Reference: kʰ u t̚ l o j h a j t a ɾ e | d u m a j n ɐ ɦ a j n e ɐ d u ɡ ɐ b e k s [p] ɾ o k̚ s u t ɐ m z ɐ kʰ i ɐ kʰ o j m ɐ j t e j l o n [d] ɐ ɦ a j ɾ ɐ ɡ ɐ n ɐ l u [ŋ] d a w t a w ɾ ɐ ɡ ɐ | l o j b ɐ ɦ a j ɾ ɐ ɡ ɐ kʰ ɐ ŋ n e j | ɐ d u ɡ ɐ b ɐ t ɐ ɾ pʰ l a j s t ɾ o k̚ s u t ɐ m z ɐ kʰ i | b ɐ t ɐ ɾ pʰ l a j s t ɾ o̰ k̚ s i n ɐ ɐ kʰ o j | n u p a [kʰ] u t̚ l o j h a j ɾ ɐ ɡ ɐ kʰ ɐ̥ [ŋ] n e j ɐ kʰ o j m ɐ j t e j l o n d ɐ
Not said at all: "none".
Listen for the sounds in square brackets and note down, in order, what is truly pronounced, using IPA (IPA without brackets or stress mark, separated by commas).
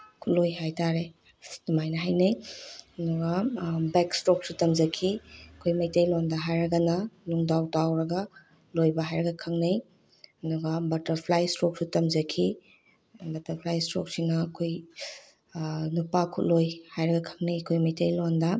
t, d, ŋ, kʰ, ŋ